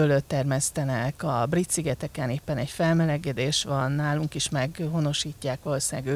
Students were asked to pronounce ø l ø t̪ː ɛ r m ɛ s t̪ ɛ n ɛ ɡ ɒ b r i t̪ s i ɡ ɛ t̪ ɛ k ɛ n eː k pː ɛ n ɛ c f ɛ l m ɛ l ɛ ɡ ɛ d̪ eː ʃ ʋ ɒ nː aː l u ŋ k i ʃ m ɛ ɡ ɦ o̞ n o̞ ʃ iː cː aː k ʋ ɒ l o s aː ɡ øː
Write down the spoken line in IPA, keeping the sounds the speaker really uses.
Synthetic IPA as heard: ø l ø t̪ː ɛ r m ɛ s t̪ ɛ n ɛ k ɒ b r i t̪ s i ɡ ɛ t̪ ɛ k ɛ n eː pː ɛ n ɛ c f ɛ l m ɛ l ɛ ɡ ɛ d̪ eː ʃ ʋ ɒ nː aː l u ŋ k i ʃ m ɛ ɡ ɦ o̞ n o̞ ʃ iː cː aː k ʋ ɒ l o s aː ɡ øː